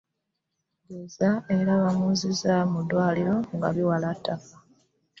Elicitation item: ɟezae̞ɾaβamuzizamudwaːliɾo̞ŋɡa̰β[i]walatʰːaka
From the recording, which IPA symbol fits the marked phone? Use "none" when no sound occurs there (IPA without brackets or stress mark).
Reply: i